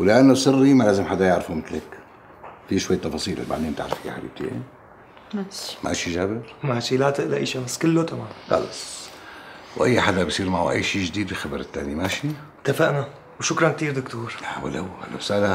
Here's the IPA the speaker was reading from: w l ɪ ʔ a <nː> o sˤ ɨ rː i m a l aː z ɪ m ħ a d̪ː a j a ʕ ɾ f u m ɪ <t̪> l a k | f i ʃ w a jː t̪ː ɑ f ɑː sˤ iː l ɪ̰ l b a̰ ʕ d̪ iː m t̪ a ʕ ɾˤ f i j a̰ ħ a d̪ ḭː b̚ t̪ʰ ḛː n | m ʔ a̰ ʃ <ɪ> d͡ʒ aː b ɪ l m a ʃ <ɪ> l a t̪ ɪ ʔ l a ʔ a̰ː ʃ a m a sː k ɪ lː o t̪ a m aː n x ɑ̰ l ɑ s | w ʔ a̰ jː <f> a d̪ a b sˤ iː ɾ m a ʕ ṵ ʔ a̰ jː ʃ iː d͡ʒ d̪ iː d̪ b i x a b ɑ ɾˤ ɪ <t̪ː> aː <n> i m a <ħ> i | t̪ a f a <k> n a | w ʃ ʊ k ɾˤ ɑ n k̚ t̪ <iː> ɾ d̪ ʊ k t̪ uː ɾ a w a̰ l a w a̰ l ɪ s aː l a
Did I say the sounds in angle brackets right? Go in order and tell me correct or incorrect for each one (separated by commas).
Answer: correct, correct, incorrect, incorrect, incorrect, correct, correct, incorrect, incorrect, correct